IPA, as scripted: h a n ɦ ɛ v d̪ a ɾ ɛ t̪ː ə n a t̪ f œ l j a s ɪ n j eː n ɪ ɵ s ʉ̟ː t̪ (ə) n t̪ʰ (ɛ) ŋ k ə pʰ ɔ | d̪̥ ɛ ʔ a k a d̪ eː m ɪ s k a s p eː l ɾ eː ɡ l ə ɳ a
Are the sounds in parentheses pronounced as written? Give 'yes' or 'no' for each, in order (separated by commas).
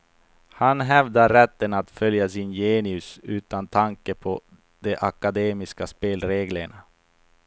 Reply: no, no